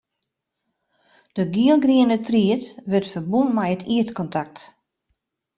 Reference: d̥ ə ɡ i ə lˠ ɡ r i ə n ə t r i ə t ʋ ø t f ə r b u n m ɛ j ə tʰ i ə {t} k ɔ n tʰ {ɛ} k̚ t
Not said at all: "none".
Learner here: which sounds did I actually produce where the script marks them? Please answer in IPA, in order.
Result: t, a

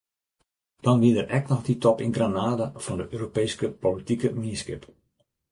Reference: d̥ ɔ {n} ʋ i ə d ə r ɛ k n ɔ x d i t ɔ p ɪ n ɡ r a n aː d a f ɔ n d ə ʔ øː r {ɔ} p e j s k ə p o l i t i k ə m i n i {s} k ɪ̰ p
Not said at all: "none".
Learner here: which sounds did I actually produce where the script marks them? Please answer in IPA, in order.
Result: n, o, s

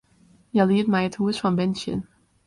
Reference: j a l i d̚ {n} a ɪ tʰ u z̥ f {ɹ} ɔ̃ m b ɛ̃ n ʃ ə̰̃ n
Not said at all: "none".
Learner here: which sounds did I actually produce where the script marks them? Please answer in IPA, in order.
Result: m, ɹ

